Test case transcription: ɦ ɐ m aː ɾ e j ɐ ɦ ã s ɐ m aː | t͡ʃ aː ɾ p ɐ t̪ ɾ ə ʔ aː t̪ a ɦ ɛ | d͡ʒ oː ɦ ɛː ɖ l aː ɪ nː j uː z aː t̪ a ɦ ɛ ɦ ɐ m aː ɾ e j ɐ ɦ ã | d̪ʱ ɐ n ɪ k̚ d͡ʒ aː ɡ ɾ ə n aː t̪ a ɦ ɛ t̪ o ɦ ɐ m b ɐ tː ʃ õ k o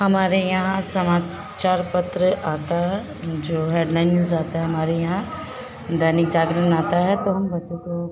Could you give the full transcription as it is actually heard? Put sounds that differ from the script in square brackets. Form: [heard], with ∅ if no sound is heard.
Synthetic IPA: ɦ ɐ m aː ɾ e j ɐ ɦ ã s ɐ m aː | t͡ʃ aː ɾ p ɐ t̪ ɾ ə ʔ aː t̪ a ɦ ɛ | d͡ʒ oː ɦ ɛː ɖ l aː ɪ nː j uː z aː t̪ a ɦ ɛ ɦ ɐ m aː ɾ e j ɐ ɦ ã | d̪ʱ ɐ n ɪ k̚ d͡ʒ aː ɡ ɾ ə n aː t̪ a ɦ ɛ t̪ o ɦ ɐ m b ɐ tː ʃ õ k o